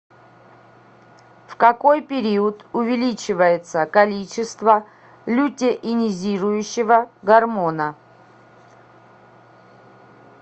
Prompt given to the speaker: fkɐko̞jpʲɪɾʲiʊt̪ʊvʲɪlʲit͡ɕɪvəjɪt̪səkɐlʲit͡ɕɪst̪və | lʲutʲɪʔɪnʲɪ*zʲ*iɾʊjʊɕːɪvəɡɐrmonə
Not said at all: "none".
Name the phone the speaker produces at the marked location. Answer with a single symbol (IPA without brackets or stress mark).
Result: zʲ